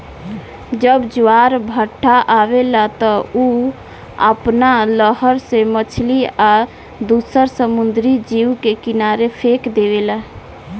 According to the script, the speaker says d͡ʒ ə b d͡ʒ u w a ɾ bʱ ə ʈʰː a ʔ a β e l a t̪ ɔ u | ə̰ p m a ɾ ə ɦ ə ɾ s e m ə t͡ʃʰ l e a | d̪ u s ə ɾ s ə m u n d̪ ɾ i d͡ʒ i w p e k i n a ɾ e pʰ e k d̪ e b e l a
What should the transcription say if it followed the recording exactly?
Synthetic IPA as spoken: d͡ʒ ə b d͡ʒ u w a ɾ bʱ ə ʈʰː a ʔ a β e l a t̪ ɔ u | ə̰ p n a l ə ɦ ə ɾ s e m ə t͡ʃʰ l i a | d̪ u s ə ɾ s ə m u n d̪ ɾ i d͡ʒ i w k e k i n a ɾ e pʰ e k d̪ e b e l a